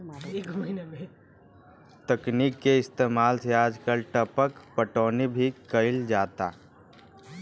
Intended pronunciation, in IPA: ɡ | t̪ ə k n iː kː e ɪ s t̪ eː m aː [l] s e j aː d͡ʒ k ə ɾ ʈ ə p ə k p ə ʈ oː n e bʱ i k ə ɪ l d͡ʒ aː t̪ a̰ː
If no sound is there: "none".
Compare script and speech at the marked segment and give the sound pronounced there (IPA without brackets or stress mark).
l